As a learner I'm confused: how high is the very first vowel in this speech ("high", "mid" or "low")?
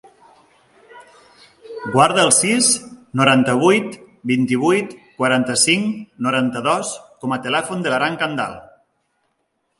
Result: low